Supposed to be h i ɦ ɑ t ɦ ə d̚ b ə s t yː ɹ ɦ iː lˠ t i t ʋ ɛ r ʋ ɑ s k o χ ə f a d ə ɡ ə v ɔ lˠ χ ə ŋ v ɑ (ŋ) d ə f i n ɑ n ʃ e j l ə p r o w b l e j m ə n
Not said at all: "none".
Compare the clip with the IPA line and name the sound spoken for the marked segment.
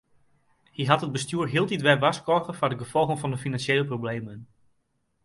n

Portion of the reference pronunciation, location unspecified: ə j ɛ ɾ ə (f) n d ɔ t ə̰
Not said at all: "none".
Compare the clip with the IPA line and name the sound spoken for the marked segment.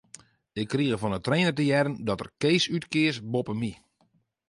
none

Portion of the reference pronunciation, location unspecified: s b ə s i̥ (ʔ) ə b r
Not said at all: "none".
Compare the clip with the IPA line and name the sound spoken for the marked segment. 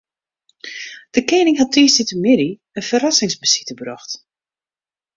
t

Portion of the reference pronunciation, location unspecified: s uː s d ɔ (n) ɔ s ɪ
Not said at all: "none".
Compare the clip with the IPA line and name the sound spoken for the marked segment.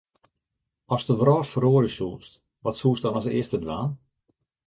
n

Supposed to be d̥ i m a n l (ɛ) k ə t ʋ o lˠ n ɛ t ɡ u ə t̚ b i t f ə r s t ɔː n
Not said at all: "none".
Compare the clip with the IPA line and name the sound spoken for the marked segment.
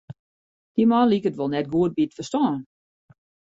i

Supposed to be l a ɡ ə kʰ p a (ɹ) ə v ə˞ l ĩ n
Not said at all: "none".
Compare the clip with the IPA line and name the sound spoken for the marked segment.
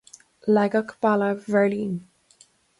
l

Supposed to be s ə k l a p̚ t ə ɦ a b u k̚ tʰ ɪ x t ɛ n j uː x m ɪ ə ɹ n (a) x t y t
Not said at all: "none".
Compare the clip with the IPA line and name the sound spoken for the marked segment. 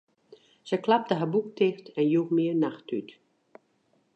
a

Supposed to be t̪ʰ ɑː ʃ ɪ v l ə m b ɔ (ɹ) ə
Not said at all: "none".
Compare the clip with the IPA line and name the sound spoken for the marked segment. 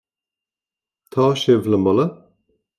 l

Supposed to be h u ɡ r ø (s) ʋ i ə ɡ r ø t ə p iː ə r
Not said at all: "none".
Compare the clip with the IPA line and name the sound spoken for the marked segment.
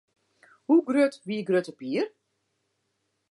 t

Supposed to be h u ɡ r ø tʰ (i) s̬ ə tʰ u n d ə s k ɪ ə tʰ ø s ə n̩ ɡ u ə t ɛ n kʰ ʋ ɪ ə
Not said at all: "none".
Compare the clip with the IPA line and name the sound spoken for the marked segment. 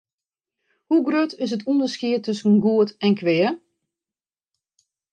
ɪ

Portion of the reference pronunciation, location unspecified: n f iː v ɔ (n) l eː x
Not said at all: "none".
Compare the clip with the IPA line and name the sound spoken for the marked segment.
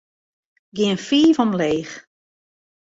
m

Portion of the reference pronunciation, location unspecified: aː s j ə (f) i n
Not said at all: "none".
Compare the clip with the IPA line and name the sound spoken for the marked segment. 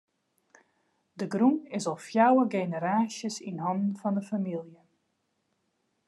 s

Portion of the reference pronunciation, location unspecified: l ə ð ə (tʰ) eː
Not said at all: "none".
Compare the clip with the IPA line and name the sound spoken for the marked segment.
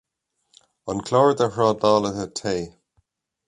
tʰ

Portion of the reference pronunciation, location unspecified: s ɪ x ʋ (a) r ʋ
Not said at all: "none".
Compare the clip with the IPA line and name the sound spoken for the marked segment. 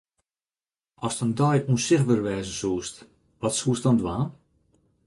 ə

